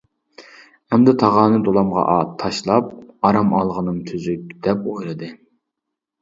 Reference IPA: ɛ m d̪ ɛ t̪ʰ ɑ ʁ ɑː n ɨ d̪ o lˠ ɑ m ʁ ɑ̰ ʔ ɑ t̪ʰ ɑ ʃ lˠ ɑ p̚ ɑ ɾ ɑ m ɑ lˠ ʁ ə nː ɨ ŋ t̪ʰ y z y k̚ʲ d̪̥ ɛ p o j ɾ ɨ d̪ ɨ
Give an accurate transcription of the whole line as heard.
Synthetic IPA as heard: ɛ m d̪ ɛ t̪ʰ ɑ ʁ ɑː n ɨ d̪ o lˠ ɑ m ʁ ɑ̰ ʔ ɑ t̪ʰ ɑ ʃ lˠ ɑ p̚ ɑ ɾ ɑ m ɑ lˠ ʁ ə n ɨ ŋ t̪ʰ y z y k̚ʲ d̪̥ ɛ p o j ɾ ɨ d̪ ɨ